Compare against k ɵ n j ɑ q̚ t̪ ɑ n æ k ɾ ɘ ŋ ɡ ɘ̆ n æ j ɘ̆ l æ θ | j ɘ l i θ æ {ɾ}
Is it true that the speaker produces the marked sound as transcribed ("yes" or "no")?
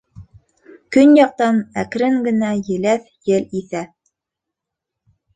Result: no